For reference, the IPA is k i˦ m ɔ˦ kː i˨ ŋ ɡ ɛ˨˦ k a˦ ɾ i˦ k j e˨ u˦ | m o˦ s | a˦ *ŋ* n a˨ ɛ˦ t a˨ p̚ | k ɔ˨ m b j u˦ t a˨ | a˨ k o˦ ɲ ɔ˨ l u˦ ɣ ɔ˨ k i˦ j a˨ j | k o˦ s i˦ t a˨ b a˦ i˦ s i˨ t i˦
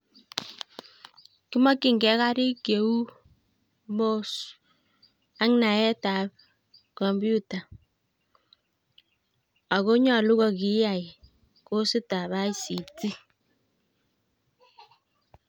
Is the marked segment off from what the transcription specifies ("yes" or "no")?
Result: no